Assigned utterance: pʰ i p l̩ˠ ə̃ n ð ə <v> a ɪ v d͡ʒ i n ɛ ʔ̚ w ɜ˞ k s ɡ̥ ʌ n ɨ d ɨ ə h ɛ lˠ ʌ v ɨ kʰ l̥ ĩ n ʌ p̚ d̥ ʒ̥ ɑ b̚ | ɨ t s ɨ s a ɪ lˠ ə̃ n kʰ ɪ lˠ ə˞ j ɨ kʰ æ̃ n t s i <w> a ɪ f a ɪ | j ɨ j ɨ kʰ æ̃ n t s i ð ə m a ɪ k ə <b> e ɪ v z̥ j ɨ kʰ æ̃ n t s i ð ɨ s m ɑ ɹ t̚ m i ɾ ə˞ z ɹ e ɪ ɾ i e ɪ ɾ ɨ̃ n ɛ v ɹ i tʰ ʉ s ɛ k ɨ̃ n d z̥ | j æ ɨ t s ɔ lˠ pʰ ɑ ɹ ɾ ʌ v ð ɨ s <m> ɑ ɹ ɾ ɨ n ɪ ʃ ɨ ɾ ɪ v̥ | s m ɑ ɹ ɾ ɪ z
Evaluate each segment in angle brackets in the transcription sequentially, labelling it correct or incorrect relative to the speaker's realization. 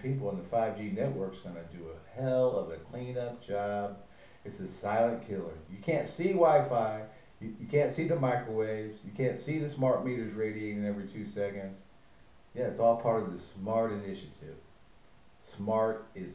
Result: incorrect: f, correct, incorrect: w, correct

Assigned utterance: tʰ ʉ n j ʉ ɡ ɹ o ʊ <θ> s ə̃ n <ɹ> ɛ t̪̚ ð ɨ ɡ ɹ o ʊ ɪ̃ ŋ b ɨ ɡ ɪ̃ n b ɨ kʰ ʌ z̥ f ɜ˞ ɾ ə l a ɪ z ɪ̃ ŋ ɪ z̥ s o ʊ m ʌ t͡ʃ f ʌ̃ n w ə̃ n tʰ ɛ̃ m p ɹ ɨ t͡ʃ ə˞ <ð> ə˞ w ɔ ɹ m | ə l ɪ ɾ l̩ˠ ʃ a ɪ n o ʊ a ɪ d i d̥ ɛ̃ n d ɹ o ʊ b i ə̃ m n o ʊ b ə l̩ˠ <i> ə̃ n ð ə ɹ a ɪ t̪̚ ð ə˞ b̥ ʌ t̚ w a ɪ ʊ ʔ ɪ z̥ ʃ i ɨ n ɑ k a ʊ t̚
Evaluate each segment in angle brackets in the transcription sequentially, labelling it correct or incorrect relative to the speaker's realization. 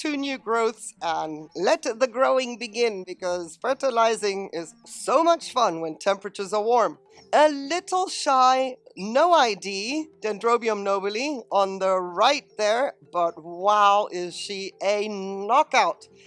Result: correct, incorrect: l, incorrect: z, correct

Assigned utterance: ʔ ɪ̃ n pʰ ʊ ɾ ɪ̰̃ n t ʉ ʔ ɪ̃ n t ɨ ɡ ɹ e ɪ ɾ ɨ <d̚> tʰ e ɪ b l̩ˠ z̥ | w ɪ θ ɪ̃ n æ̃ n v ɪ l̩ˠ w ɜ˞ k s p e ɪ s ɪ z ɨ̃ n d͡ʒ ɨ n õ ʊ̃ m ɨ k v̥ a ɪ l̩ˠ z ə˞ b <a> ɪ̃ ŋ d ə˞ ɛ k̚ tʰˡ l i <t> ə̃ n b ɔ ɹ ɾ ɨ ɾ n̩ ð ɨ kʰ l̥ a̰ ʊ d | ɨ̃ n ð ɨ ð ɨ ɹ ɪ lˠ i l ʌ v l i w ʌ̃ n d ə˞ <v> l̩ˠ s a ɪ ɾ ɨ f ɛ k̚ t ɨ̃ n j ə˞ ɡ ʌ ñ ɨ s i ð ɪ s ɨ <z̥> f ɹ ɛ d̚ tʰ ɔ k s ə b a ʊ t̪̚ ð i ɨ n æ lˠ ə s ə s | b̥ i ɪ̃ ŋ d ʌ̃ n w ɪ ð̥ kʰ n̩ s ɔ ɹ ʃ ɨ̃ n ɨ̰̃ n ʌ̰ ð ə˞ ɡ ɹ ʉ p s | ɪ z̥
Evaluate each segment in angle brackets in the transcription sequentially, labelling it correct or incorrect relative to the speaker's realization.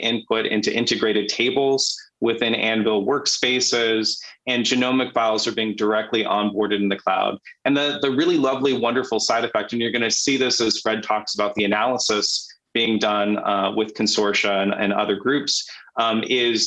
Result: correct, incorrect: i, incorrect: ʔ, incorrect: f, correct

